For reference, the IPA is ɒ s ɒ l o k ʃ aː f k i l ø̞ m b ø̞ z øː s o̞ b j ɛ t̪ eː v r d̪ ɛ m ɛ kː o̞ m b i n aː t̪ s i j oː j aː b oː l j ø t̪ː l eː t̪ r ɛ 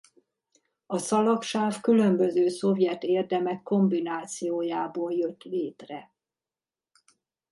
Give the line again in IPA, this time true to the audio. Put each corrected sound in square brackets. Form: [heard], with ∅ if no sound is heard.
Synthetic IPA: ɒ s ɒ l [ɒ] k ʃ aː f k [y] l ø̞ m b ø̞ z øː s o̞ [v] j ɛ t̪ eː [∅] r d̪ ɛ m ɛ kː o̞ m b i n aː t̪ s i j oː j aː b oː l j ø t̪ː l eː t̪ r ɛ

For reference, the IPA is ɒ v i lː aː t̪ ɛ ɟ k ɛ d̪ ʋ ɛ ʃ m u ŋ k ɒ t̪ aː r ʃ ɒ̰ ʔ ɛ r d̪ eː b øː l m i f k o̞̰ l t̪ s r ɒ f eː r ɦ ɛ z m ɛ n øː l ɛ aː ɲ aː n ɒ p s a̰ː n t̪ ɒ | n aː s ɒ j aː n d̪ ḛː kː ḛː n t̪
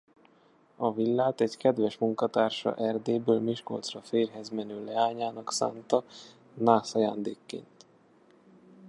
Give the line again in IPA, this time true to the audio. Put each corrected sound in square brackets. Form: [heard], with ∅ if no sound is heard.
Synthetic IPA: ɒ v i lː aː t̪ ɛ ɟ k ɛ d̪ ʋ ɛ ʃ m u ŋ k ɒ t̪ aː r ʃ ɒ̰ ʔ ɛ r d̪ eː b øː l m i [ʃ] k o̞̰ l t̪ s r ɒ f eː r ɦ ɛ z m ɛ n øː l ɛ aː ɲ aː n ɒ [k] s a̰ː n t̪ ɒ | n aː s ɒ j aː n d̪ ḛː kː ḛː n t̪

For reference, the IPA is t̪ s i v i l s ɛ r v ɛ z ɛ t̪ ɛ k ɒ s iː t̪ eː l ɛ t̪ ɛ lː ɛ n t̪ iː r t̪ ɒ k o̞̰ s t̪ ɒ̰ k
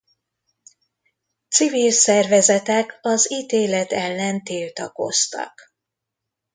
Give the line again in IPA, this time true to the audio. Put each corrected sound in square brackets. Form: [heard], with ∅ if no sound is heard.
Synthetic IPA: t̪ s i v i l s ɛ r v ɛ z ɛ t̪ ɛ k ɒ [z] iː t̪ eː l ɛ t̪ ɛ lː ɛ n t̪ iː [l] t̪ ɒ k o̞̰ s t̪ ɒ̰ k

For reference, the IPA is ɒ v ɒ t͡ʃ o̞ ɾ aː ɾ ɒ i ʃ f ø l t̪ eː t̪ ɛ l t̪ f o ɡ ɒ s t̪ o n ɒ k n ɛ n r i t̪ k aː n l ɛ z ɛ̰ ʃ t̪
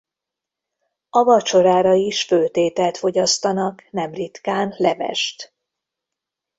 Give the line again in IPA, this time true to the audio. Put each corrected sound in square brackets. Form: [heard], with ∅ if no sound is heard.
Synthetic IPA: ɒ v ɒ t͡ʃ o̞ ɾ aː ɾ ɒ i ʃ f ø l t̪ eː t̪ ɛ l t̪ f o [ɟ] ɒ s t̪ [ɒ] n ɒ k n ɛ [m] r i t̪ k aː n l ɛ [v] ɛ̰ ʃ t̪

